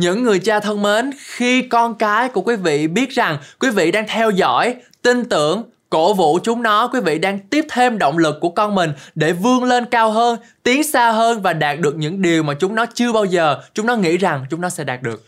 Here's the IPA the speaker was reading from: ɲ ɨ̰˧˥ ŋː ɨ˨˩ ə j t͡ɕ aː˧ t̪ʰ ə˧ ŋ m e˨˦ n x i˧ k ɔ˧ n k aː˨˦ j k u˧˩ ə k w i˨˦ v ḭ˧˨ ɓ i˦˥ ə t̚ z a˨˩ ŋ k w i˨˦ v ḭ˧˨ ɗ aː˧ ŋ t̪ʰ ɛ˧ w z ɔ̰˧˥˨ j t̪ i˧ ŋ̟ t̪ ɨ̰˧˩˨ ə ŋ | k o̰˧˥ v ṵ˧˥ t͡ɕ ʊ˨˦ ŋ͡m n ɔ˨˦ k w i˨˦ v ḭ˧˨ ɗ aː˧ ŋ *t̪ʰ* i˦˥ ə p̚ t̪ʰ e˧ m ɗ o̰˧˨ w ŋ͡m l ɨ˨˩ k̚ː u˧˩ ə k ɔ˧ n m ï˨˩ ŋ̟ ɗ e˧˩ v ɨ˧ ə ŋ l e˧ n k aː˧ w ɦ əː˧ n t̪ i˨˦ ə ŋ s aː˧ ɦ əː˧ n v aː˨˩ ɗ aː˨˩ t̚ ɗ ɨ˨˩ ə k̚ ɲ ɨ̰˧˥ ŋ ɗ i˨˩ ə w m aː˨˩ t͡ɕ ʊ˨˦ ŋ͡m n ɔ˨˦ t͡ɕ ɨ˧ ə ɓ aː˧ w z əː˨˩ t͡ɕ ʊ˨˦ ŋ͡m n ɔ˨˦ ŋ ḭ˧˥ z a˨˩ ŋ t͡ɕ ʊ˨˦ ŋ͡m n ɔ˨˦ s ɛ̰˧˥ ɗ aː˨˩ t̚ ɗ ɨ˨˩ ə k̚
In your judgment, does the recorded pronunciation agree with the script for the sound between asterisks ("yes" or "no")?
no